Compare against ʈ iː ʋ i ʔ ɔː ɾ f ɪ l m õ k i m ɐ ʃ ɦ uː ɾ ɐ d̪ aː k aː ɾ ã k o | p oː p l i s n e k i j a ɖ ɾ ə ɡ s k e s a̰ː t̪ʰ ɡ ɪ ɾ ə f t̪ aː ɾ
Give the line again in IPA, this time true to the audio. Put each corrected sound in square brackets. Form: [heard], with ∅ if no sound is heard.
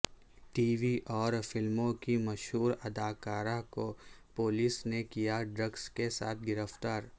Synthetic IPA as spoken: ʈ iː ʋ i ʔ ɔː ɾ f ɪ l m õ k i m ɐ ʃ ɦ uː ɾ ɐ d̪ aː k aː ɾ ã k o | p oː [∅] l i s n e k i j a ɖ ɾ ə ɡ s k e s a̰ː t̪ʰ ɡ ɪ ɾ ə f t̪ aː ɾ